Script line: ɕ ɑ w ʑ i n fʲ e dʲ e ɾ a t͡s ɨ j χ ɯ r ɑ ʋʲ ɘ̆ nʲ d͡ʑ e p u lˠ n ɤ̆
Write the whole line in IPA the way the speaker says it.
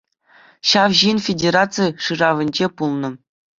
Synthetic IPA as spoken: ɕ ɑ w ʑ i n fʲ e dʲ e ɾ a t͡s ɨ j ʂ ɯ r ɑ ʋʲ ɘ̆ nʲ d͡ʑ e p u lˠ n ɤ̆